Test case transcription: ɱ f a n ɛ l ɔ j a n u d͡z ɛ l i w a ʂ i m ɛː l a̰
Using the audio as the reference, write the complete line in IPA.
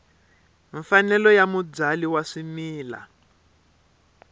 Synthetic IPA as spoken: ɱ f a n ɛ l ɔ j a m u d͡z a l i w a ʂ i m iː l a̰